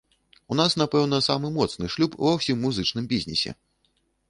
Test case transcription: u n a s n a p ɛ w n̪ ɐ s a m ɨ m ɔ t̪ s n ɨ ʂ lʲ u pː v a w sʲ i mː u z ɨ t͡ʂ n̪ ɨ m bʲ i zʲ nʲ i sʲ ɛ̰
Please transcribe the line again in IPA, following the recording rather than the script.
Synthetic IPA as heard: u n a s n a p ɛ w n̪ ɐ s a m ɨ m ɔ t̪ s n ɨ ʂ lʲ u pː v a w sʲ i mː u z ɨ t͡ʂ n̪ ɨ m bʲ i zʲ nʲ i sʲ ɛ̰